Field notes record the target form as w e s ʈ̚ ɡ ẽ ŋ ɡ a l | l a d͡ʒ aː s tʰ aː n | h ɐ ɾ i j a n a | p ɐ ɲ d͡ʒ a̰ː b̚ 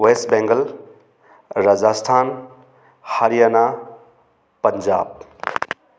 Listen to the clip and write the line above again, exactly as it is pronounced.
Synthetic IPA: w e s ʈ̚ b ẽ ŋ ɡ ə l | ɾ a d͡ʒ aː s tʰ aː n | h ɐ ɾ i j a n a | p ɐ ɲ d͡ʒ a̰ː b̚